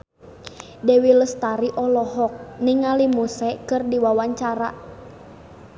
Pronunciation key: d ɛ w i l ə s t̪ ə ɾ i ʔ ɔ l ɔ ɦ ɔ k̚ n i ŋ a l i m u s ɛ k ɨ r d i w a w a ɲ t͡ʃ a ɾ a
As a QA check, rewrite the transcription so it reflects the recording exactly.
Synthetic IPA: d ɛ w i l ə s t̪ a ɾ i ʔ ɔ l ɔ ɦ ɔ k̚ n i ŋ a l i m u s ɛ k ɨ r d i w a w a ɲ t͡ʃ a ɾ a